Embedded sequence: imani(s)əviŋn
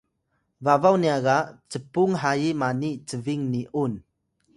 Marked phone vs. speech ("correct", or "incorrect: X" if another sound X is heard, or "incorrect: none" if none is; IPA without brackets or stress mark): incorrect: t͡s